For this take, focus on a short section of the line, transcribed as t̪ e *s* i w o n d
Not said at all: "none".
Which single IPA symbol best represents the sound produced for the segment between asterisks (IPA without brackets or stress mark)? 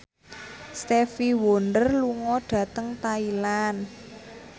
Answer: f